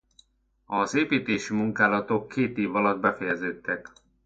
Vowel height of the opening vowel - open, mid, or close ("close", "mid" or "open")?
open